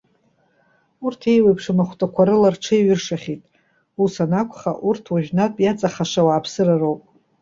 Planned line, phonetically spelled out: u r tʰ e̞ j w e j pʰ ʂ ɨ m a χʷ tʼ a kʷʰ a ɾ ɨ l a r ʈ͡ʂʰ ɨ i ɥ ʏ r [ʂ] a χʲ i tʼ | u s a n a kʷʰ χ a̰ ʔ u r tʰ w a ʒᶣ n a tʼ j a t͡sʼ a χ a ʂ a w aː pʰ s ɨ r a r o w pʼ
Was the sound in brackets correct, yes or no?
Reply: yes